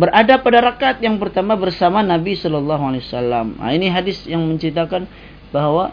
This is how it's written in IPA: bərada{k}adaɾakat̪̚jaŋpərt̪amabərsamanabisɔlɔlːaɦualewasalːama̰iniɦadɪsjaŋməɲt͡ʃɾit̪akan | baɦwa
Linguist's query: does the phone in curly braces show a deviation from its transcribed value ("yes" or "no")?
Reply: yes